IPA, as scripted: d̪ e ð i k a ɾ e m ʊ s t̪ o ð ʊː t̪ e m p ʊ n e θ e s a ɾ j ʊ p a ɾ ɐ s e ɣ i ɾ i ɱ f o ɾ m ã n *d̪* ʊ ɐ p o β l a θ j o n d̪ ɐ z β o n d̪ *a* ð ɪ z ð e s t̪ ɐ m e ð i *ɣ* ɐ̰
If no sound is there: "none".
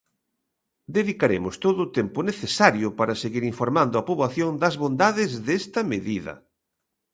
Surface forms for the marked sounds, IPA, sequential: d̪, a, ð

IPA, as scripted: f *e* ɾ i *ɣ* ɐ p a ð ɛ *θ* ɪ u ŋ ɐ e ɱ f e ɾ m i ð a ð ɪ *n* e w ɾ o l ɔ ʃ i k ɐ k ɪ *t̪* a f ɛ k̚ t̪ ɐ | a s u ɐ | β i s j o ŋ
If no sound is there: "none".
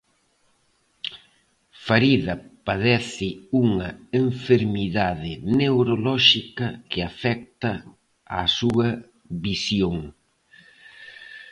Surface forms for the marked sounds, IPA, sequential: a, ð, θ, n, none

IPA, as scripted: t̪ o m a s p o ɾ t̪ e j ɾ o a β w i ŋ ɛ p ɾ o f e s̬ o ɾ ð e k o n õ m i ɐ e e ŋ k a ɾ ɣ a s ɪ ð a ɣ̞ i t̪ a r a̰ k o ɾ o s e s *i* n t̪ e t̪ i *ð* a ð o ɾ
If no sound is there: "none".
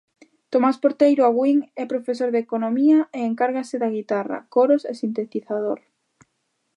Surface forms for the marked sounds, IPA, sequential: i, θ

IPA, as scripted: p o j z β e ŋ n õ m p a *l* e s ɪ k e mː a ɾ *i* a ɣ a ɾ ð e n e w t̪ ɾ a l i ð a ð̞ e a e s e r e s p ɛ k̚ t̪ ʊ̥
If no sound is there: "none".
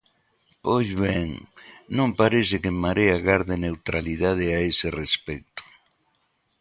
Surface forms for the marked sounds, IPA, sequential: ɾ, e

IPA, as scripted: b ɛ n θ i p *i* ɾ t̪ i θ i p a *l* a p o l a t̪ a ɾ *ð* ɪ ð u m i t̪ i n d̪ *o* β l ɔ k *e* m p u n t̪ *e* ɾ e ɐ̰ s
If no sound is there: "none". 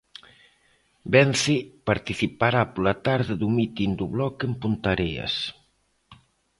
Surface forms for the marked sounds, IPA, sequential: a, ɾ, ð, u, e, a

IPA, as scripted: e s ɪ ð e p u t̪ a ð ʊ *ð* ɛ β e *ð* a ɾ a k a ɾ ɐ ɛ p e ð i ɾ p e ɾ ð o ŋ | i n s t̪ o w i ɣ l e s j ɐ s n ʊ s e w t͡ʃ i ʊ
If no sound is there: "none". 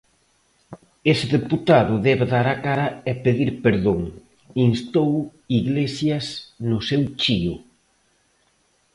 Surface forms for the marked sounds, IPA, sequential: ð, ð

